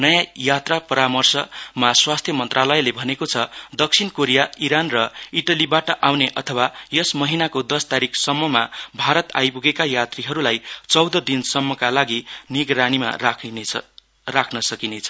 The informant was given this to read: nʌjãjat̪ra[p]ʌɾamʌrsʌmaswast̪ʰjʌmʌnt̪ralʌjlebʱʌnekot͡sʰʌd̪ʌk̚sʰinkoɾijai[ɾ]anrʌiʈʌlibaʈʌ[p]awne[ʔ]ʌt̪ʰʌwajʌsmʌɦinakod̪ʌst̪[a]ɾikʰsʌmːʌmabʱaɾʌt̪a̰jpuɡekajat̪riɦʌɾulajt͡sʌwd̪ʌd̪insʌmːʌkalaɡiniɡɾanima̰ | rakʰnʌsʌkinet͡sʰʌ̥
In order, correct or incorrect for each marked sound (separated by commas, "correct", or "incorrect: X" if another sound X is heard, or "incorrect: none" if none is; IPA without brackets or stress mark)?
correct, correct, incorrect: ʔ, correct, correct